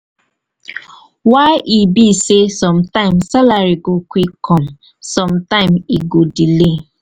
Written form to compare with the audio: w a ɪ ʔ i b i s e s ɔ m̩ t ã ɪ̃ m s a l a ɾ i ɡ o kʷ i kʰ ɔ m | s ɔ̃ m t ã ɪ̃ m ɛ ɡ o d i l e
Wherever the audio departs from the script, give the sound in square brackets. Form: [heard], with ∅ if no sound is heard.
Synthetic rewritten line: w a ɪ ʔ i b i s e s ɔ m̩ t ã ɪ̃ m s a l a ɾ i ɡ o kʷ i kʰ ɔ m | s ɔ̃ m t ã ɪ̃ m [i] ɡ o d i l e